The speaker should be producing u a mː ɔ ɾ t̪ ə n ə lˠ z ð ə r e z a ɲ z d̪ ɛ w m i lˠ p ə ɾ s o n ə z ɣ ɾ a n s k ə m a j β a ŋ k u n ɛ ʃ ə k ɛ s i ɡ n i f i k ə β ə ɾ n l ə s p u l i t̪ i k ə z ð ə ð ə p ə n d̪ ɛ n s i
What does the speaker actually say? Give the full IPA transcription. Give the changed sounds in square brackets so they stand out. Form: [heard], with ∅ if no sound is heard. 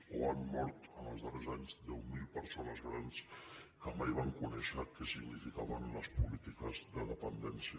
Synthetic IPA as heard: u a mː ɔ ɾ t̪ ə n ə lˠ z ð ə r e z a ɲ z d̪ ɛ w m i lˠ p ə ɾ s o n ə z ɣ ɾ a n s k ə m a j β a ŋ k u n ɛ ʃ ə k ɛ s i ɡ n i f i k [a] β ə [∅] n l ə s p u l i t̪ i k ə z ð ə ð ə p ə n d̪ ɛ n s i